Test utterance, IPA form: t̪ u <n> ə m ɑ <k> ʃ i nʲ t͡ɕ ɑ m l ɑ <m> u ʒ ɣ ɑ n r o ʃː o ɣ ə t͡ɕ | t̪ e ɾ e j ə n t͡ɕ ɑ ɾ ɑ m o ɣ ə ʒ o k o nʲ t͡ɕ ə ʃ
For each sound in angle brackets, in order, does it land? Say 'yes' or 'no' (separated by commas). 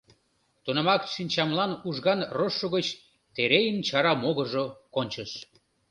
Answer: yes, yes, no